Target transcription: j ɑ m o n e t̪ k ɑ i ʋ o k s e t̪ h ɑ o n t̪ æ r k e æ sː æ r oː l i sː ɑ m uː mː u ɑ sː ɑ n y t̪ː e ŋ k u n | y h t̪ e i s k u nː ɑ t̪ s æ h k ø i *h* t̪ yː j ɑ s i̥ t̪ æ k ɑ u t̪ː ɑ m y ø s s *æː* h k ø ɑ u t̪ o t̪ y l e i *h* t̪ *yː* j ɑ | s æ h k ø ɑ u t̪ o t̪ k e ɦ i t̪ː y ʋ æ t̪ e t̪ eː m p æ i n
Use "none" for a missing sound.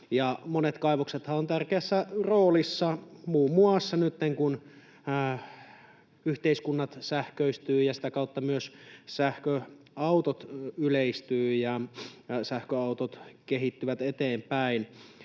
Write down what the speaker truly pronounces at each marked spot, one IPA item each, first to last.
s, æ, s, yː

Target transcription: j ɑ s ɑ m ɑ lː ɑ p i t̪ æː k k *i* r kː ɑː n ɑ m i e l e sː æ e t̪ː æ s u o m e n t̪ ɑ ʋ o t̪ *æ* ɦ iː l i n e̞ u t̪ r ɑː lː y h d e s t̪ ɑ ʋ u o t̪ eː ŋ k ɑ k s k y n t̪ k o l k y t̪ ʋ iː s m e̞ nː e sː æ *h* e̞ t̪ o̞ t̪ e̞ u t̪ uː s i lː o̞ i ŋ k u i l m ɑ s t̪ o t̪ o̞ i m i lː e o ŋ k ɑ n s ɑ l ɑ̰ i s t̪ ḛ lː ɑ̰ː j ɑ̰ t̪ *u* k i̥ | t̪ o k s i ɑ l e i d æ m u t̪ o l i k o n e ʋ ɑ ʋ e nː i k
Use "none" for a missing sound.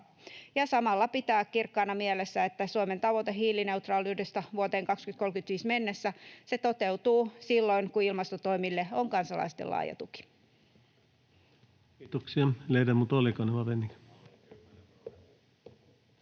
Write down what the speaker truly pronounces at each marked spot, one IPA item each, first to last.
i, e, s, u

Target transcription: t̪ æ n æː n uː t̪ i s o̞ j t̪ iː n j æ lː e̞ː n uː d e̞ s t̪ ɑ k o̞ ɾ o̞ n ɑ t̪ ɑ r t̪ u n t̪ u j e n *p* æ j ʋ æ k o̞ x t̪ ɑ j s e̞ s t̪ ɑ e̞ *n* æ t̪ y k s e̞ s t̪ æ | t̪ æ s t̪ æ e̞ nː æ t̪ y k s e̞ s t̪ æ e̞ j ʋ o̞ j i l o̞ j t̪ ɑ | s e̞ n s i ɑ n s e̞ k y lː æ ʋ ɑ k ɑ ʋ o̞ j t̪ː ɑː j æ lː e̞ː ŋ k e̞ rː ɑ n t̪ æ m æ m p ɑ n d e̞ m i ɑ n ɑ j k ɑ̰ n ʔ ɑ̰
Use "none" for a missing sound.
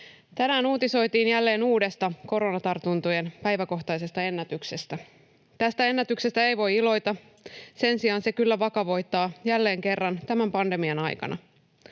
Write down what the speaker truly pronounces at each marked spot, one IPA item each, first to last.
p, nː

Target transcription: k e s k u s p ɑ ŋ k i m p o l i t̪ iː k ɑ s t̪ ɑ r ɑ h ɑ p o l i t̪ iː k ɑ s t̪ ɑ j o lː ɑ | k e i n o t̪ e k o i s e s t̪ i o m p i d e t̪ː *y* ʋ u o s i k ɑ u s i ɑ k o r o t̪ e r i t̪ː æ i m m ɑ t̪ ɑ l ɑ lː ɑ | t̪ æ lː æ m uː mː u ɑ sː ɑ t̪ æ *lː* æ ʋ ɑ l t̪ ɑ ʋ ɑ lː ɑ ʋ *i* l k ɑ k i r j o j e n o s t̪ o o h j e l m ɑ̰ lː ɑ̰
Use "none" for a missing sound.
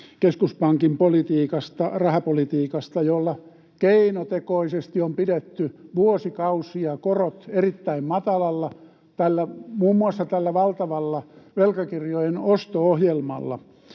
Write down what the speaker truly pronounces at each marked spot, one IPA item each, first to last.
y, lː, e

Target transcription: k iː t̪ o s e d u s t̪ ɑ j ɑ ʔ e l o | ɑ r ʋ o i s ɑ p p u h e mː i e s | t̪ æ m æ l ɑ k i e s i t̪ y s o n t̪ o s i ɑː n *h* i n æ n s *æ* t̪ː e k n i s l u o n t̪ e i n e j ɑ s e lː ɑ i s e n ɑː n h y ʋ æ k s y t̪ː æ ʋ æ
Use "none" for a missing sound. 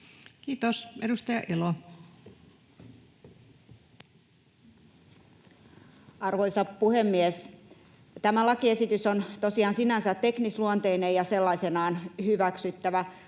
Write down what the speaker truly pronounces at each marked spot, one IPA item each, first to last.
s, æ

